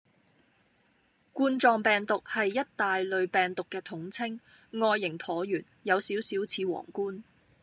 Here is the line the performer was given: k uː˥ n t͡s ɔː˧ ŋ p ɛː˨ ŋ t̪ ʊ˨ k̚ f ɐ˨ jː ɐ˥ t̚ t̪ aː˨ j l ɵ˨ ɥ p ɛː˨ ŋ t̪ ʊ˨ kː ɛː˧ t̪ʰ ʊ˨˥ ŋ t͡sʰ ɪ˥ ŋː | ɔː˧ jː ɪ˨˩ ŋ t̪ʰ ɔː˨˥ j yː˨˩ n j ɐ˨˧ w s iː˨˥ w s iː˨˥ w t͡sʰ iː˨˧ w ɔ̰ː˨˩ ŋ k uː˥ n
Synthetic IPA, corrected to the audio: k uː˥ n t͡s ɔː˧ ŋ p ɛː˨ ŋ t̪ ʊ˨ k̚ h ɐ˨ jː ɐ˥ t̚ t̪ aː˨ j l ɵ˨ ɥ p ɛː˨ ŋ t̪ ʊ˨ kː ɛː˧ t̪ʰ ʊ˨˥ ŋ t͡sʰ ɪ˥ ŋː | ɔː˧ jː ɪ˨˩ ŋ t̪ʰ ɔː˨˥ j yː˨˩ n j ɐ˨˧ w s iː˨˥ w s iː˨˥ w t͡sʰ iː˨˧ w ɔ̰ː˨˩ ŋ k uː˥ n